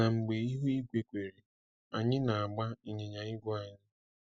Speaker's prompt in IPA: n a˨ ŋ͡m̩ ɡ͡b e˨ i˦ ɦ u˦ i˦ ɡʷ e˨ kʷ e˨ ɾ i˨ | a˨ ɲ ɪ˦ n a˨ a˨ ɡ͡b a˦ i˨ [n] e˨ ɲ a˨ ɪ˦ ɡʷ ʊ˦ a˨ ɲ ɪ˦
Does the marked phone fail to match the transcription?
yes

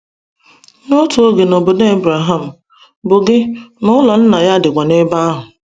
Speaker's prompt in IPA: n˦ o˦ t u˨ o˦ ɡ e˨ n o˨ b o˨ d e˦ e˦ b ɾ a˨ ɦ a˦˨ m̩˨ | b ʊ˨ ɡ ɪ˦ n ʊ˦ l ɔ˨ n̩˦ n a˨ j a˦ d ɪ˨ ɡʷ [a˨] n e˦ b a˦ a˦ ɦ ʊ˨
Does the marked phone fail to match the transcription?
no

